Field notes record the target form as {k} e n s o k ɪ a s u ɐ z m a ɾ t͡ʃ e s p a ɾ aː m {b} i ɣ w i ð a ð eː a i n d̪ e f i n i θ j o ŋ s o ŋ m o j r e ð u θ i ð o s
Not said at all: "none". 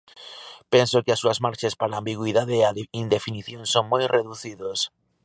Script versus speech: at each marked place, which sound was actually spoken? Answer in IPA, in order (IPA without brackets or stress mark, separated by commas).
p, b